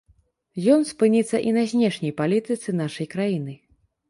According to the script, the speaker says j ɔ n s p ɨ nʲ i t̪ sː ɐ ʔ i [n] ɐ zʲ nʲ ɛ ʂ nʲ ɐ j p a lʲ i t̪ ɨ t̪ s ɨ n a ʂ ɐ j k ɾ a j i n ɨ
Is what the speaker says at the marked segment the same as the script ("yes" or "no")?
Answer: yes